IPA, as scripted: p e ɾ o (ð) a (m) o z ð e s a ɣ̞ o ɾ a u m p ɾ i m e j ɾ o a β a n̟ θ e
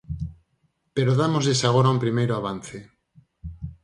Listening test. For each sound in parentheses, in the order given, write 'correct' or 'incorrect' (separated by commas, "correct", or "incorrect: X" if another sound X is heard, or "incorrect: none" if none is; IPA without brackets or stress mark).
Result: correct, correct